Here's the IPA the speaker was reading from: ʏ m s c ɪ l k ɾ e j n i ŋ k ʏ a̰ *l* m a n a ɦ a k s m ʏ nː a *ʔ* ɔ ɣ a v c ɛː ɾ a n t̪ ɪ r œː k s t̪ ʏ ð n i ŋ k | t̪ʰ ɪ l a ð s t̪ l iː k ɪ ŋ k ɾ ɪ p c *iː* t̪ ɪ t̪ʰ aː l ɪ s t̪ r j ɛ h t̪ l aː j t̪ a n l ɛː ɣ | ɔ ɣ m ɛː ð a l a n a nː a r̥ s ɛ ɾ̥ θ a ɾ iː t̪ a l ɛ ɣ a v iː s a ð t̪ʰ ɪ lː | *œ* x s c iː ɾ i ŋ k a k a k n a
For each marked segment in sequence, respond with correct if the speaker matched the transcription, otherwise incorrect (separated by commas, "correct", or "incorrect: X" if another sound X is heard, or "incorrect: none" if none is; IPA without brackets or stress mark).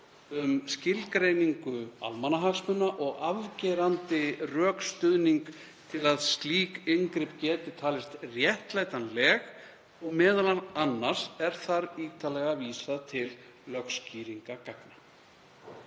correct, correct, incorrect: ɛː, correct